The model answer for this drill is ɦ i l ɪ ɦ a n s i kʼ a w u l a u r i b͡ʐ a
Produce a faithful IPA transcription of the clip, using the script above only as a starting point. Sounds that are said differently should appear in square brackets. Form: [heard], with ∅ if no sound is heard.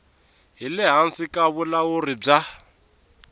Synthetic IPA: ɦ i l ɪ ɦ a n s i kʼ a [β] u l a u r i b͡ʐ a